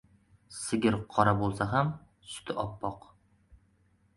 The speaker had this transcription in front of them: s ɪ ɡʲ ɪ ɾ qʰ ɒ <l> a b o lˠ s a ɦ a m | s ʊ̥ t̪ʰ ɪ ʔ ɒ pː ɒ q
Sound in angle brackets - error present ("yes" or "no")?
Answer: yes